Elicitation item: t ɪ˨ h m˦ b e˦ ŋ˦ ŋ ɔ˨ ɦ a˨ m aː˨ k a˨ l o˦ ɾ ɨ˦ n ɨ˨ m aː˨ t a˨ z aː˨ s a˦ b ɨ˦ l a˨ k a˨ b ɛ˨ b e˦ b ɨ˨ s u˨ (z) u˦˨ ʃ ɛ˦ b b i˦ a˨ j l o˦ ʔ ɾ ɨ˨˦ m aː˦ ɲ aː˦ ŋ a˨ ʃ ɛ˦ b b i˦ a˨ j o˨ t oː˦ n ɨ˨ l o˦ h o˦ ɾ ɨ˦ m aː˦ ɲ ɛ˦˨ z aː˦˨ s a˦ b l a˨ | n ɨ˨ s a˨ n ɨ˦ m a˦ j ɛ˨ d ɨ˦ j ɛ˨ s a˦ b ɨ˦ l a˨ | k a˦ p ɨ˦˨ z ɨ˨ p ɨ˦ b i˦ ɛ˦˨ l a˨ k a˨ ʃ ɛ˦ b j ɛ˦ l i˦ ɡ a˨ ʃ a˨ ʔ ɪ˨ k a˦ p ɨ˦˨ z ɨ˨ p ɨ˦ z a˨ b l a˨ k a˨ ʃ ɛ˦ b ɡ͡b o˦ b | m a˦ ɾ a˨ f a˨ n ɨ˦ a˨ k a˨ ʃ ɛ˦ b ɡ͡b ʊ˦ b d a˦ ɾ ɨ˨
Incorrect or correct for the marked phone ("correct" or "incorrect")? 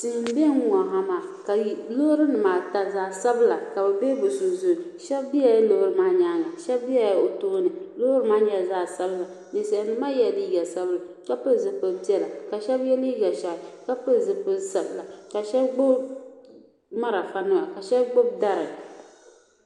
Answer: correct